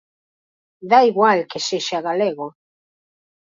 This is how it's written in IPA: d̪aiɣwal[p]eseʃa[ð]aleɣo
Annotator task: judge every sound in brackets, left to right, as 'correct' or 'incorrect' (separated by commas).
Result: incorrect, incorrect